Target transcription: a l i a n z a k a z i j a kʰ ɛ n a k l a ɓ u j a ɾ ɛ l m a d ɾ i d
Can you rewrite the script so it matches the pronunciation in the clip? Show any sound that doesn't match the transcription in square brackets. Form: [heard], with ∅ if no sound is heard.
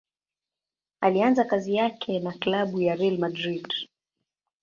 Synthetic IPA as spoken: a l i a n z a k a z i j a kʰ ɛ n a k l a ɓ u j a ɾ ɛ l m a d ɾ i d